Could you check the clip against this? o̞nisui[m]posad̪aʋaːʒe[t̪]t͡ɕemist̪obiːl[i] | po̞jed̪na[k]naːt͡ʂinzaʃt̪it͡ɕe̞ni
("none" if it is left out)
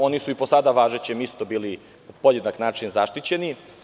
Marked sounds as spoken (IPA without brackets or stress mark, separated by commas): none, none, i, k